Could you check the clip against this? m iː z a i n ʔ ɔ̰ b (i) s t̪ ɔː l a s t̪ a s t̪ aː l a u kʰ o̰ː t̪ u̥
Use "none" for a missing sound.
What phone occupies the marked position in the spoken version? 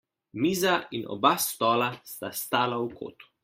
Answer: a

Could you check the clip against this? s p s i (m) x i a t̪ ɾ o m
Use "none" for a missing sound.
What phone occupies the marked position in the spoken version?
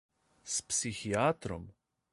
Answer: none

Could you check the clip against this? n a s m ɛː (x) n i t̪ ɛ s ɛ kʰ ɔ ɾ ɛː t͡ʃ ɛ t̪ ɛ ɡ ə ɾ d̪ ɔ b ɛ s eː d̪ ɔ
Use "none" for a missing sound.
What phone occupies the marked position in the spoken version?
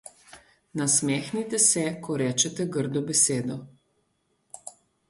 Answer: x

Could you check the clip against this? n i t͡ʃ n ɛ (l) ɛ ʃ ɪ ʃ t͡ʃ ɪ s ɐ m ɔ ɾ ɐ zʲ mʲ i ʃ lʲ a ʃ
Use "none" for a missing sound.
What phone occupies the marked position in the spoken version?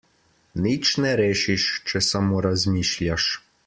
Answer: ɾ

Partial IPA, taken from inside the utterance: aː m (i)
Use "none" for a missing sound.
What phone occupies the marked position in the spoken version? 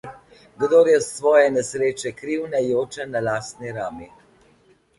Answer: i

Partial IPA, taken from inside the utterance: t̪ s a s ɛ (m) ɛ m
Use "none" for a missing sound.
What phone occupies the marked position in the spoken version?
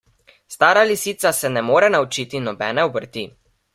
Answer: n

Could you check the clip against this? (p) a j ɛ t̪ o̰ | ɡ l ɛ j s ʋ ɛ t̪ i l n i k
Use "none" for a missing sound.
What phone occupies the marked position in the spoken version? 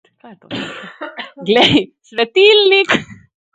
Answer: k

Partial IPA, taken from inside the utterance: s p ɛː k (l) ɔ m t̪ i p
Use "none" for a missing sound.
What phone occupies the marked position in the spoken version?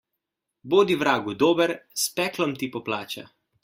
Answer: l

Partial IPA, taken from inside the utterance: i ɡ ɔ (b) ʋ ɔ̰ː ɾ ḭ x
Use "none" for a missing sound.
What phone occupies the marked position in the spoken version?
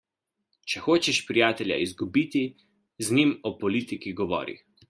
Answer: none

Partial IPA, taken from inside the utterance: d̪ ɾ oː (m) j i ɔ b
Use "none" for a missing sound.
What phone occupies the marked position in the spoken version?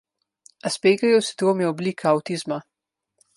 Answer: m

